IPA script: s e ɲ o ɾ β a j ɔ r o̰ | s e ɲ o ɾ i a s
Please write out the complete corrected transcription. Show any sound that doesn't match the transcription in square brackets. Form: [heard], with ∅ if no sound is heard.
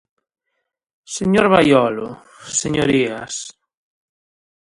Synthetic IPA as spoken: s e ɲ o ɾ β a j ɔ [l] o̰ | s e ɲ o ɾ i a s